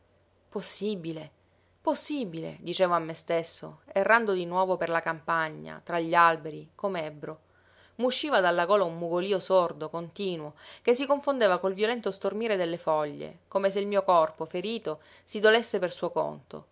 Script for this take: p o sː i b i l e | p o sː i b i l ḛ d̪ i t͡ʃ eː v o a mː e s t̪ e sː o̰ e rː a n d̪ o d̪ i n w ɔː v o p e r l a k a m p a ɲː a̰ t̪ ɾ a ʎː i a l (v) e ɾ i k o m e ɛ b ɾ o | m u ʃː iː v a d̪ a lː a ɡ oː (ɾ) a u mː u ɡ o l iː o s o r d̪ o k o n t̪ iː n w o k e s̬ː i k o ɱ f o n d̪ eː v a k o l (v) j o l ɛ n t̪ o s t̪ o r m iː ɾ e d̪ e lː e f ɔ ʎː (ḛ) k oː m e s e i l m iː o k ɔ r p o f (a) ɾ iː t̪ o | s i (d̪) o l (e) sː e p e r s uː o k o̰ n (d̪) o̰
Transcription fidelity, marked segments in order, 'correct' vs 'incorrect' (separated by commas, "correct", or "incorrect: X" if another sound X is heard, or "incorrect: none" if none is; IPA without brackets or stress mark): incorrect: b, incorrect: l, correct, correct, incorrect: e, correct, correct, incorrect: t̪